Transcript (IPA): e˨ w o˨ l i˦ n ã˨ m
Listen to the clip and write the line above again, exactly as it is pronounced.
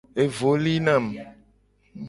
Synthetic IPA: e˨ v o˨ l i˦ n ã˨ m